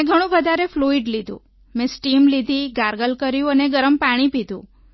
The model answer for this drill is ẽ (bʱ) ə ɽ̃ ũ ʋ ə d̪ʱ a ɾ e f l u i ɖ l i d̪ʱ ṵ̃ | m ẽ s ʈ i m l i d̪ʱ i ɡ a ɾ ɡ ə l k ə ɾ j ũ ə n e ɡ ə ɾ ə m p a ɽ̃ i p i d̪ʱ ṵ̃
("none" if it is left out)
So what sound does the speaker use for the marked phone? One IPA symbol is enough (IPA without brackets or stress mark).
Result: ɡʱ